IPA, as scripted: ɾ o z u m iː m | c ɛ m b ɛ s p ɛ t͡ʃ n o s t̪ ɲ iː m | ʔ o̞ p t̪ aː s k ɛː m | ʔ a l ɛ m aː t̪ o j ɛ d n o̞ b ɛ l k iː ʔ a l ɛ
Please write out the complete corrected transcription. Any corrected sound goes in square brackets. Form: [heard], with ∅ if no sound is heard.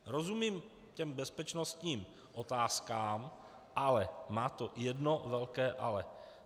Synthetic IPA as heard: ɾ o z u m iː m | c ɛ m b ɛ s p ɛ t͡ʃ n o s t̪ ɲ iː m | ʔ o̞ [∅] t̪ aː s k [aː] m | ʔ a l ɛ m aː t̪ o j ɛ d n o̞ [v] ɛ l k [ɛː] ʔ a l ɛ